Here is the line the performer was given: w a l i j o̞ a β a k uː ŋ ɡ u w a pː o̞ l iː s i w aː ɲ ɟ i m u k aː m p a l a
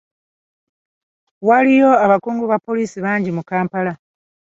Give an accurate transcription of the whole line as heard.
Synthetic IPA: w a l i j o̞ a β a k uː ŋ ɡ u β a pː o̞ l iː s i β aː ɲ ɟ i m u k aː m p a l a

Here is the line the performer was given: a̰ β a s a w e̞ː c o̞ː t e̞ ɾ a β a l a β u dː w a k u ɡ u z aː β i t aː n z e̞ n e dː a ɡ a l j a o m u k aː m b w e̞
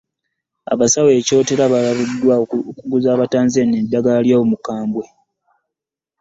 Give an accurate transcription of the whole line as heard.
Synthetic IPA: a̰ β a s a w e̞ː c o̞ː t e̞ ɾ a β a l a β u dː w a k u ɡ u z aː β a t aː n z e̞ n e dː a ɡ a l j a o m u k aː m b w e̞

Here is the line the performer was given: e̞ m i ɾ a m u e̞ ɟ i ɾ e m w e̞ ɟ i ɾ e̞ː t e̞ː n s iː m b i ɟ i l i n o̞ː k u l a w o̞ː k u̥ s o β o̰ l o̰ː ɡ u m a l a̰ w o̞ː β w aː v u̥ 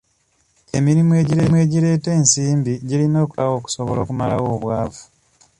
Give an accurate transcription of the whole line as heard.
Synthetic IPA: e̞ m i ɾ i m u e̞ ɟ i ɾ e m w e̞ ɟ i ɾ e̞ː t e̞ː n s iː m b i ɟ i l i n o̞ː k u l a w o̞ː k u̥ s o β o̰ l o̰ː k u m a l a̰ w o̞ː β w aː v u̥

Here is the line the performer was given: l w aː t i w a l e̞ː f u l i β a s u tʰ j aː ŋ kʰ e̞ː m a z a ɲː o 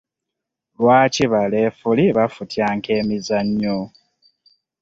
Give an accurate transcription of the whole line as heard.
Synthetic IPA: l w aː c i β a l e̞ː f u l i β a f u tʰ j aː ŋ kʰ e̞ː m i z a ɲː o

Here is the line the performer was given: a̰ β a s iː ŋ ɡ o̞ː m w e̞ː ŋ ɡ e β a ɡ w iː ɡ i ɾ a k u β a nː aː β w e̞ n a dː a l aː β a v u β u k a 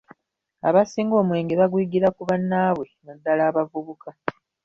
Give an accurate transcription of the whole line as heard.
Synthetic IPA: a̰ β a s iː ŋ ɡ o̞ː m w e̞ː ŋ ɡ e β a ɡ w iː ɡ i ɾ a k u β a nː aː β w e̞ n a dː a l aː β a v u β u k a

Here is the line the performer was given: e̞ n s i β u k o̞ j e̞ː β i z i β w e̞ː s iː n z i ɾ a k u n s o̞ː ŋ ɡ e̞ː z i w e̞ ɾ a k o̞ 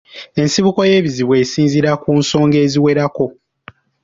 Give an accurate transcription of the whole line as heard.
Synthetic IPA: e̞ n s i β u k o̞ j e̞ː β i z i β w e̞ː s iː n z i ɾ a k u n s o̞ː ŋ ɡ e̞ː z i w e̞ ɾ a k o̞

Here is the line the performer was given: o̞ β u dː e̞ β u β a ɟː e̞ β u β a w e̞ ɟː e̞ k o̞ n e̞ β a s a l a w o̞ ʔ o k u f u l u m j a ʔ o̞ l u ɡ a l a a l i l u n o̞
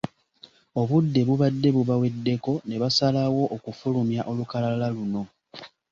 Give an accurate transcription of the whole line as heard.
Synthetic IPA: o̞ β u dː e̞ β u β a dː e̞ β u β a w e̞ dː e̞ k o̞ n e̞ β a s a l a w o̞ ʔ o k u f u l u m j a ʔ o̞ l u k a l a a l a l u n o̞

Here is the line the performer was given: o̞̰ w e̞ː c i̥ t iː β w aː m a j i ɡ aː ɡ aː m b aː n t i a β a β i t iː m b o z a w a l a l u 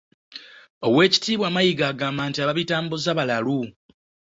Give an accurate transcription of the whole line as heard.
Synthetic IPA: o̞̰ w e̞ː c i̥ t iː β w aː m a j i ɡ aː ɡ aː m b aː n t i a β a β i t aː m b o z a β a l a l u

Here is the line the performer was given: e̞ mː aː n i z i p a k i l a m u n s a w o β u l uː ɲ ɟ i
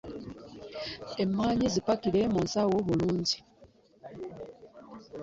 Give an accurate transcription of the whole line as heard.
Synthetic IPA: e̞ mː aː ɲ i z i p a k i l e m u n s a w o β u l uː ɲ ɟ i

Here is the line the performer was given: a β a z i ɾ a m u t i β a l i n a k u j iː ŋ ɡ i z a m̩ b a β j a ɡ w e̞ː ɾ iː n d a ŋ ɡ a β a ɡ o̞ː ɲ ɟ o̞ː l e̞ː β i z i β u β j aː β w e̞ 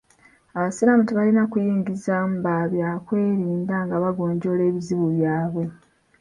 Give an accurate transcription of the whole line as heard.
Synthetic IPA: a β a s i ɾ a m u t i β a l i n a k u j iː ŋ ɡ i z a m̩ b a β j a k w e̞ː ɾ iː n d a ŋ ɡ a β a ɡ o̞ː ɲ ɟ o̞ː l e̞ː β i z i β u β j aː β w e̞

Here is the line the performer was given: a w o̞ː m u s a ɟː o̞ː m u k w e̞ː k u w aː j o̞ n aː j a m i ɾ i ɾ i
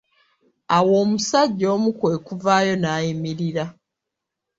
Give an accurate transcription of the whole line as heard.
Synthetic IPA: a w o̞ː m u s a ɟː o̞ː m u k w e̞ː k u v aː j o̞ n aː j i m i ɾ i ɾ a

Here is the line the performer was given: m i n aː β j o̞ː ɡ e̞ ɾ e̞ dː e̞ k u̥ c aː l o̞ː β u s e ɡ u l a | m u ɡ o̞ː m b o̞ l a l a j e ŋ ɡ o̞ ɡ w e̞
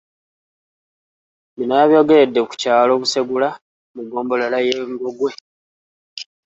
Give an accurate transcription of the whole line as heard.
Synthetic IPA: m i n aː β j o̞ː ɡ e̞ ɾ e̞ dː e̞ k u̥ c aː l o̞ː β u s e ɡ u l a | m u ɡ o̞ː m b o̞ l a l a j e ŋ ɡ o̞ ɡ w e̞

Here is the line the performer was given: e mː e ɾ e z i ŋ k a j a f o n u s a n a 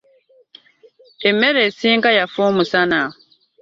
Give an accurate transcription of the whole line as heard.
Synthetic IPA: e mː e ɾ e s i ŋ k a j a f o m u s a n a

